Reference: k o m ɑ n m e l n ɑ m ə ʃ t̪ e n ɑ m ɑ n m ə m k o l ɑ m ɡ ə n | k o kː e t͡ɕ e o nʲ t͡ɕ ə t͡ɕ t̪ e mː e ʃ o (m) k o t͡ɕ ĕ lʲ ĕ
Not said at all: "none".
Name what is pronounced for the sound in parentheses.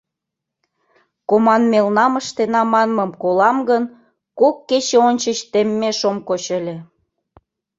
m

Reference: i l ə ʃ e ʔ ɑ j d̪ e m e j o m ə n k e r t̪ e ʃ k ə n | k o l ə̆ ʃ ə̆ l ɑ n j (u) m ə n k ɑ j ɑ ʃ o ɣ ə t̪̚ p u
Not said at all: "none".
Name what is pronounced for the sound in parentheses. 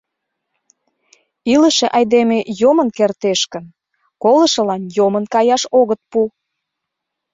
o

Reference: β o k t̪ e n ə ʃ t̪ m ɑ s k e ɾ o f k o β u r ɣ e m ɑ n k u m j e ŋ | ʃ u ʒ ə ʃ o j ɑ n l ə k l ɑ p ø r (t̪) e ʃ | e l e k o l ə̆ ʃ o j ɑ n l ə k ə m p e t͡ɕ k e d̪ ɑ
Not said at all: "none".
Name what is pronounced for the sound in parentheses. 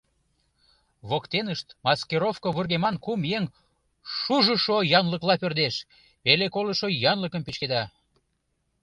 d̪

